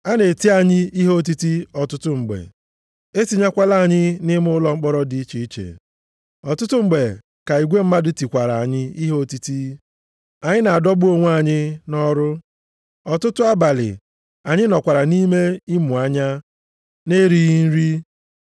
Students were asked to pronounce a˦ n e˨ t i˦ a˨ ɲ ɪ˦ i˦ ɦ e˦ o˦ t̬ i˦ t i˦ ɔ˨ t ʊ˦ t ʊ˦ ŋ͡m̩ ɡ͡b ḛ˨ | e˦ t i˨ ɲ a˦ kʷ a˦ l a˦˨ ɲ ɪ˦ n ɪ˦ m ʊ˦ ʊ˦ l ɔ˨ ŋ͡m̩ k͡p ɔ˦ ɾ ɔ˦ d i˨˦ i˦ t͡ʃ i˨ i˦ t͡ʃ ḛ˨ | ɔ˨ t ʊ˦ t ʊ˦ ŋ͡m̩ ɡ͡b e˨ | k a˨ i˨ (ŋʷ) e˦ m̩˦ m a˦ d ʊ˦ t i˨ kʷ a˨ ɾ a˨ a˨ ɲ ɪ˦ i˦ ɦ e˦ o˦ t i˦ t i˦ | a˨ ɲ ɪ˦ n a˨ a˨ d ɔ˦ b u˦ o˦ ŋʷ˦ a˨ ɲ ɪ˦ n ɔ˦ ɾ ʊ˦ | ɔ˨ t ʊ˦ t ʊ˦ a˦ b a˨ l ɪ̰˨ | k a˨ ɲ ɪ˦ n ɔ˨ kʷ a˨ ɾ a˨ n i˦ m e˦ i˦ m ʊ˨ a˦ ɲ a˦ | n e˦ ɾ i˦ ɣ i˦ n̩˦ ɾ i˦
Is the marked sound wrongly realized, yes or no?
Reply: yes